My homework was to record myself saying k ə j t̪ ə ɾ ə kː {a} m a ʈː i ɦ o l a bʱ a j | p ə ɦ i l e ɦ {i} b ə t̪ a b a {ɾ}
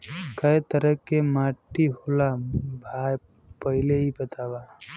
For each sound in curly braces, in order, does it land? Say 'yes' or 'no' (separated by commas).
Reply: no, yes, no